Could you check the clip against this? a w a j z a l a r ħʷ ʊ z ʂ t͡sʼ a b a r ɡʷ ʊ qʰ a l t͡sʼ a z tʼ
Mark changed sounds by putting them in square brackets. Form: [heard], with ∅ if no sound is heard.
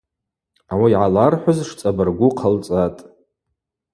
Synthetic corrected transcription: a w a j [ʕ] a l a r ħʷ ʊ z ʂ t͡sʼ a b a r ɡʷ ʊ qʰ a l t͡sʼ a [∅] tʼ

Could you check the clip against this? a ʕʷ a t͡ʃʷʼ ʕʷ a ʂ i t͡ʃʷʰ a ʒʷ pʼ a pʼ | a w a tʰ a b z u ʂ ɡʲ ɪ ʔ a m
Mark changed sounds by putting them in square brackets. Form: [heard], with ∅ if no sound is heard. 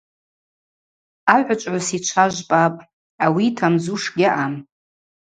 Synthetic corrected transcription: a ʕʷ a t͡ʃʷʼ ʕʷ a [s] i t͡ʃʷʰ a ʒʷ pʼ a pʼ | a w [i] tʰ a [m] z u ʂ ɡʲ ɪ ʔ a m

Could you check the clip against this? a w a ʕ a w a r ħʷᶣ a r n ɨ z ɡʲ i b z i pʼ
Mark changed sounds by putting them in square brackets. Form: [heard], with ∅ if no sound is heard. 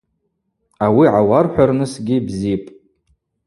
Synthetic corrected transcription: a w [i] ʕ a w a r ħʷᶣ a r n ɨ [s] ɡʲ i b z i pʼ

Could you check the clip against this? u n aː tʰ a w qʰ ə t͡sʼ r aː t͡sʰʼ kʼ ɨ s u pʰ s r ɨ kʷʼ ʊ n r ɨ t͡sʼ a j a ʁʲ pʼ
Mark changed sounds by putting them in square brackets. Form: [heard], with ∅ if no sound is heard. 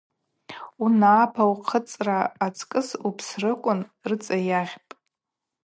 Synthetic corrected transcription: u n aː [pʰ] a w qʰ ə t͡sʼ r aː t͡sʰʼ kʼ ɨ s u pʰ s r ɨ kʷʼ ʊ n r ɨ t͡sʼ a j a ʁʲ pʼ

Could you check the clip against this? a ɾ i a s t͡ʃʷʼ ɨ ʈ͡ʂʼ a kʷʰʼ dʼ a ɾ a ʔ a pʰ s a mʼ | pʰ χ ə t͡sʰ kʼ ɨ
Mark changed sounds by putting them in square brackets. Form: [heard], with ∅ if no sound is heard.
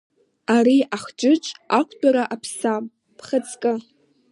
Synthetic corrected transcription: a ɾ i a [χ] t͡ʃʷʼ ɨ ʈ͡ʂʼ a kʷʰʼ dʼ a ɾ a ʔ a pʰ s a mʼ | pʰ χ ə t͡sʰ kʼ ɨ

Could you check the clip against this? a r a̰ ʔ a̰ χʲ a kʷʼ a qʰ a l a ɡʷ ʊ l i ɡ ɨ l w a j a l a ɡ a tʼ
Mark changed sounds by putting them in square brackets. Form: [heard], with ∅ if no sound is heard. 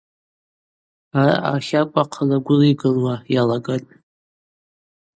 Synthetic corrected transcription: a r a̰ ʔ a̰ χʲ a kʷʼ a qʰ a l a ɡʷ ʊ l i ɡ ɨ l w a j a l a ɡ a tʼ

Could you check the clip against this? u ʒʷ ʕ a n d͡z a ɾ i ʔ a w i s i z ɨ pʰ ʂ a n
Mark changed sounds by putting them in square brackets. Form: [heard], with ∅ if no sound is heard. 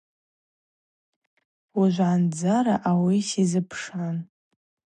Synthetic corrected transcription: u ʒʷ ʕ a n d͡z a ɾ [a] ʔ a w i s i z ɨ pʰ ʂ a n

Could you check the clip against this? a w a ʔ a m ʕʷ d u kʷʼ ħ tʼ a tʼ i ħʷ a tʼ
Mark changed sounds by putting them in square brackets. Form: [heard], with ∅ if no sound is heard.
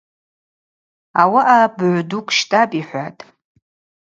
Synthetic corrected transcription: a w a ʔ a [b] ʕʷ d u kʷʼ [ʃ] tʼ a [pʼ] i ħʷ a tʼ

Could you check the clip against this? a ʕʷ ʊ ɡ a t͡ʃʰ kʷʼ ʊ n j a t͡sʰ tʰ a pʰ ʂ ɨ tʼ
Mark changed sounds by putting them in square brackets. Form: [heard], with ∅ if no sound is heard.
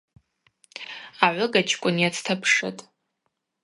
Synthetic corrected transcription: a ʕʷ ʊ ɡ a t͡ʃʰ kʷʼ ʊ n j a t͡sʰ tʰ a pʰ ʂ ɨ tʼ

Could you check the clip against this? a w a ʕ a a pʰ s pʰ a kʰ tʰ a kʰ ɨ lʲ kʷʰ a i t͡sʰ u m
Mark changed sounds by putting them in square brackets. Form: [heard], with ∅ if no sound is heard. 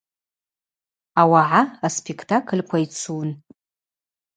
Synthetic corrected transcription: a w a ʕ a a [∅] s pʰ [e] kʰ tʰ a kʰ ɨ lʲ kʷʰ a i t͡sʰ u [n]

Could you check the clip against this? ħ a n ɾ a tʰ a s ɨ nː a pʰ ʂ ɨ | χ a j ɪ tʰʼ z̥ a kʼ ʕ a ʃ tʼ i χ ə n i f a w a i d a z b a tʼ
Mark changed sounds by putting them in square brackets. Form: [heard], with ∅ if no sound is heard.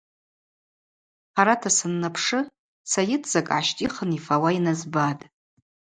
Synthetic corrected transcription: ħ a [∅] ɾ a tʰ a s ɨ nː a pʰ ʂ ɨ | [s] a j ɪ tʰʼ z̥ a kʼ ʕ a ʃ tʼ i χ ə n i f a w a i [n] a z b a tʼ

